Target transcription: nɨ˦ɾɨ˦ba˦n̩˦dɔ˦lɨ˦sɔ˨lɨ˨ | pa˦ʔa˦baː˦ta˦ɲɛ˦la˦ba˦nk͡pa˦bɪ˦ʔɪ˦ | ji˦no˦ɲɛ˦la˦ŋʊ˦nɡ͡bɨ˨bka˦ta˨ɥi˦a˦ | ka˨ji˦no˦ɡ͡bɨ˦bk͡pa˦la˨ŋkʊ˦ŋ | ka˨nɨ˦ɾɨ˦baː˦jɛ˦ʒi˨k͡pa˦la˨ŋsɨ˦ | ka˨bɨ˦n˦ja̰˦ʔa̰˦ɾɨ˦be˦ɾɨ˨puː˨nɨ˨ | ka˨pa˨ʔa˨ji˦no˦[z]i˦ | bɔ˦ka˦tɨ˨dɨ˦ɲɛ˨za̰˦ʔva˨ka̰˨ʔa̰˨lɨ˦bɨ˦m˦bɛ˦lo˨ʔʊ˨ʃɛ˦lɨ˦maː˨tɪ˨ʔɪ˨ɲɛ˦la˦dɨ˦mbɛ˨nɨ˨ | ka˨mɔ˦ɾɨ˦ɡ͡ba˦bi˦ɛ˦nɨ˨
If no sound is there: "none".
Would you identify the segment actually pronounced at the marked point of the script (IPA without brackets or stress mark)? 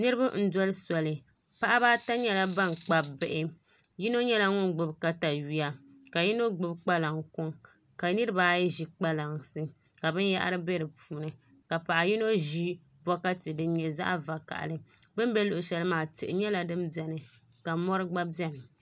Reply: ʒ